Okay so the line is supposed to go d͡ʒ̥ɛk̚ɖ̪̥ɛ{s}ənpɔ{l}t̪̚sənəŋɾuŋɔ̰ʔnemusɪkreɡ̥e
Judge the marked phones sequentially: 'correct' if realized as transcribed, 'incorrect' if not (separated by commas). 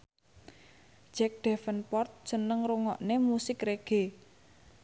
incorrect, incorrect